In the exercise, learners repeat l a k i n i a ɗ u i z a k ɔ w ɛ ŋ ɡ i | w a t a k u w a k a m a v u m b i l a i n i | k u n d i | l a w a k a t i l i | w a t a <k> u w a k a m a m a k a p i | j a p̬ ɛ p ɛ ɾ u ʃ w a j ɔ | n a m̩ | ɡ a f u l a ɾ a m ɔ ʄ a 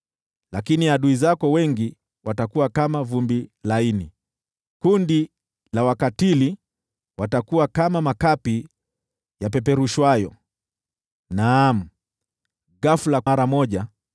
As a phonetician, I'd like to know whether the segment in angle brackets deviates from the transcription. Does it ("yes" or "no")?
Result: no